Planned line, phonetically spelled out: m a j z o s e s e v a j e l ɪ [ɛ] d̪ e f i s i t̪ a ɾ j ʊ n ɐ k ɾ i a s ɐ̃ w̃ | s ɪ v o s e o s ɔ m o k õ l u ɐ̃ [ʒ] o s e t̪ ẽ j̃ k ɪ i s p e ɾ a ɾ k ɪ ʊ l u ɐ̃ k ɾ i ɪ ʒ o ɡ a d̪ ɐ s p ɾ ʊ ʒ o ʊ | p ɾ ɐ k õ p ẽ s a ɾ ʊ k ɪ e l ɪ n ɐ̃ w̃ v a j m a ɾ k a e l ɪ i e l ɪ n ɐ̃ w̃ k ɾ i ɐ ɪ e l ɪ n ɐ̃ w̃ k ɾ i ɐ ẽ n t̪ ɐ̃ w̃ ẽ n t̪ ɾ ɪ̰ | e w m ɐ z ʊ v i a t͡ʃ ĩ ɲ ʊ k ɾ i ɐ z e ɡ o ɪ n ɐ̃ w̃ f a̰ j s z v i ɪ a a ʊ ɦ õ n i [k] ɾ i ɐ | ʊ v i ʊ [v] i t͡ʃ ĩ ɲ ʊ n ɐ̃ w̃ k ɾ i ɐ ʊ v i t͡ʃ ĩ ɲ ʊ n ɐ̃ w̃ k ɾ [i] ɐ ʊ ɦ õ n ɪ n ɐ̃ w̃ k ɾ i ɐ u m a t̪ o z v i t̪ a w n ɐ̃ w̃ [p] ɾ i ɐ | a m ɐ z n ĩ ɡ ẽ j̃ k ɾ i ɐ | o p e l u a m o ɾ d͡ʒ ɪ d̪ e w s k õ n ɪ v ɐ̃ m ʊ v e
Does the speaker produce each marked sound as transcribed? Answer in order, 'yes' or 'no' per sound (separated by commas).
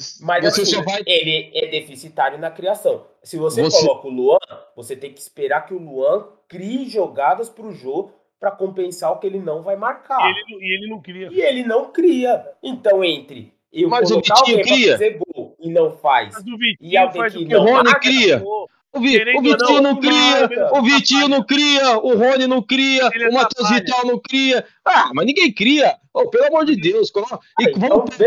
yes, no, yes, yes, yes, no